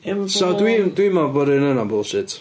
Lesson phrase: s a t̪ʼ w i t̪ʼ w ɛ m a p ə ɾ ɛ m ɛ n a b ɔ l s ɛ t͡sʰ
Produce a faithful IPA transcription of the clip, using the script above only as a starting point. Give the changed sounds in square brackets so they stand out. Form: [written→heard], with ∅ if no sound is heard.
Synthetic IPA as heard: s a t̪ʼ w i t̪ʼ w [ɛ→i] m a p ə ɾ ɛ [m→n] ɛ n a b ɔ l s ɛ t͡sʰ